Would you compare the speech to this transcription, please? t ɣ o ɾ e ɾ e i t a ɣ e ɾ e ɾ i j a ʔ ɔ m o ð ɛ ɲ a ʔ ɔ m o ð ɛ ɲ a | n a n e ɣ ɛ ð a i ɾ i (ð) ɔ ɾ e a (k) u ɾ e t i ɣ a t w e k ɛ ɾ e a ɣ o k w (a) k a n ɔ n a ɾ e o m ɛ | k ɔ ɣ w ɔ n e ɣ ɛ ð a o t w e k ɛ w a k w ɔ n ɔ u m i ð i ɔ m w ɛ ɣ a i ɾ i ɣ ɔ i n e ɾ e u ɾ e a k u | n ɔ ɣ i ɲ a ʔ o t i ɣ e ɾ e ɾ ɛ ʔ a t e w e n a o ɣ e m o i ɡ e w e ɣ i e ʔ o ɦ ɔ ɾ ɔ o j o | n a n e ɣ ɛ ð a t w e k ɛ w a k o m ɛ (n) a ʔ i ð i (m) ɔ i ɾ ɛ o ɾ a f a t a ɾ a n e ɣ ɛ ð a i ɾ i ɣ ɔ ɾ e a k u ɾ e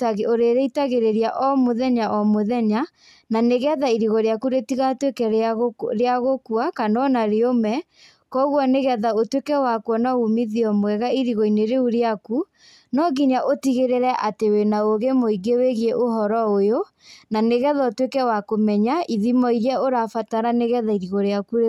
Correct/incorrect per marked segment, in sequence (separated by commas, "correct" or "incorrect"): incorrect, correct, correct, incorrect, correct